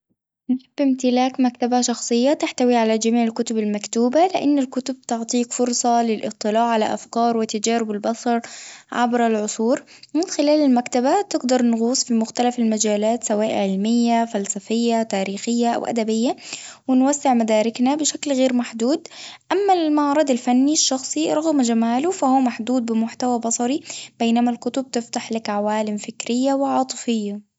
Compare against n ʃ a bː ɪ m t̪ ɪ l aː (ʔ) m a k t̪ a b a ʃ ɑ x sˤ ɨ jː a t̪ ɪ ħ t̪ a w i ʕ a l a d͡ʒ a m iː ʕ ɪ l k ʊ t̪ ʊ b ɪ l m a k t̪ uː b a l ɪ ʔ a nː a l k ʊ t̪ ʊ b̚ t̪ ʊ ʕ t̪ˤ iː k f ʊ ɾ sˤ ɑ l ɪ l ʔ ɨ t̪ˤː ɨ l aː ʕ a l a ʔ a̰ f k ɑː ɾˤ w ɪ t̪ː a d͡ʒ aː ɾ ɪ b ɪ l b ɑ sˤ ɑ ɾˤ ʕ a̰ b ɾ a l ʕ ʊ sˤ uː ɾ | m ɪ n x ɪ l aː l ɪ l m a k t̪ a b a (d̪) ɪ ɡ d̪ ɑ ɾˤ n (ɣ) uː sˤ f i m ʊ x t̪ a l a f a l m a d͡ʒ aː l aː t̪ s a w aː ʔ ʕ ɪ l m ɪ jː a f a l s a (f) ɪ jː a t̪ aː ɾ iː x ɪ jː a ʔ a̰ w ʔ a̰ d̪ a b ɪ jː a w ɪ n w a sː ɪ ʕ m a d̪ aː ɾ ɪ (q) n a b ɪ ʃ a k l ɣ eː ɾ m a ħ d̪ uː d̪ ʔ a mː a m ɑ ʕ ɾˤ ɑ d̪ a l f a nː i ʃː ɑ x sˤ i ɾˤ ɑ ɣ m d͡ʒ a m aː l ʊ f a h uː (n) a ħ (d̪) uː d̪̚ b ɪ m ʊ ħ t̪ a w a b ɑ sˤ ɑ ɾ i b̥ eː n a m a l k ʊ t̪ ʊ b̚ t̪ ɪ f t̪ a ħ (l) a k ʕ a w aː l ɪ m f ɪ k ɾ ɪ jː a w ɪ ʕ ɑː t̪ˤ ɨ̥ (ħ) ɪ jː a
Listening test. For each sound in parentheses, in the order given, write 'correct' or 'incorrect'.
incorrect: k, incorrect: t̪, correct, correct, incorrect: k, incorrect: m, correct, correct, incorrect: f

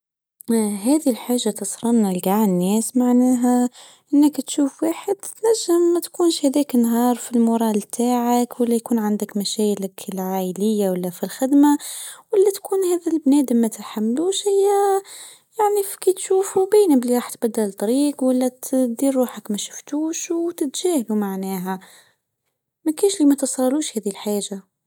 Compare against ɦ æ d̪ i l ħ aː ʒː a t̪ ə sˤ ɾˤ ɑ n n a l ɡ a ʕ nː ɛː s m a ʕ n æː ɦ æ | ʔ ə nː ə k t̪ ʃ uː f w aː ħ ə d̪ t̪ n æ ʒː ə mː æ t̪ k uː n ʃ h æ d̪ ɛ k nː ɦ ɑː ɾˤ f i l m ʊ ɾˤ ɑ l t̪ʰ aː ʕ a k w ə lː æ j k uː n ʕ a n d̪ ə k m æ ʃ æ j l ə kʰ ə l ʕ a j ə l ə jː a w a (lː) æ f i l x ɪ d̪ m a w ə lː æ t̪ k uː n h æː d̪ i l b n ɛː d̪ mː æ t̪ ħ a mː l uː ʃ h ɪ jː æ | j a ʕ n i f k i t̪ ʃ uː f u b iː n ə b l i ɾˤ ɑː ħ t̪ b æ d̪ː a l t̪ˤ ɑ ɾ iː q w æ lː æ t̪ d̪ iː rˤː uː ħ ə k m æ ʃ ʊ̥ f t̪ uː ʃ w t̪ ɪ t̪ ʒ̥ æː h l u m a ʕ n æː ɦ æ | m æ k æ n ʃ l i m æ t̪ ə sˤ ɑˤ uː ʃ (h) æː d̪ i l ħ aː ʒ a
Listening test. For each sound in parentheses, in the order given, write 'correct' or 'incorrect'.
correct, correct

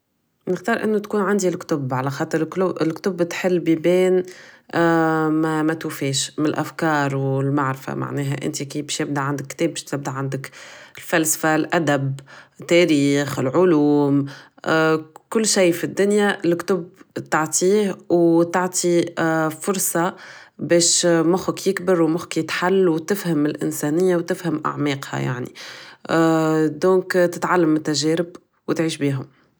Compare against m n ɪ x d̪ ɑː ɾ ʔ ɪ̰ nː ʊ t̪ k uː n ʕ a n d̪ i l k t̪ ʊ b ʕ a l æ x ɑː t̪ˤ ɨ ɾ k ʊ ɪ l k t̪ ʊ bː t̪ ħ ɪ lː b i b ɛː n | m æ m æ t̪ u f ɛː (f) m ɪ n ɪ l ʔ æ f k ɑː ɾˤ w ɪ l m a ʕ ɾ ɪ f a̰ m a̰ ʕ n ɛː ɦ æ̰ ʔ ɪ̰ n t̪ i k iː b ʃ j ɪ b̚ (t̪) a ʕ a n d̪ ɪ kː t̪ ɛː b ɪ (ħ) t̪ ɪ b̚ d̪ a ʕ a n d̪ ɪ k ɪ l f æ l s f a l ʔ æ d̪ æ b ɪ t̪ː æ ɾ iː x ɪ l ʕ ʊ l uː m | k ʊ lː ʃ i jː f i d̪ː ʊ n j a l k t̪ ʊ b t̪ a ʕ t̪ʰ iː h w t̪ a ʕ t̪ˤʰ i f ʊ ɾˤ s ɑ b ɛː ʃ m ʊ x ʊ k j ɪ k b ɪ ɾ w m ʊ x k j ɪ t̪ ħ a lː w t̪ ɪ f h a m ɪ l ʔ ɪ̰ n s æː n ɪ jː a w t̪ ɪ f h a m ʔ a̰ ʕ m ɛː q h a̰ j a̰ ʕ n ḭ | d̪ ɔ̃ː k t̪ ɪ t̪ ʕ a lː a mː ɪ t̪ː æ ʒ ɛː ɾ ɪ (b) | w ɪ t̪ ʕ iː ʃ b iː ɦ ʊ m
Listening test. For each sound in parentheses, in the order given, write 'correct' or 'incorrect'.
incorrect: ʃ, incorrect: d̪, incorrect: ʃ, correct

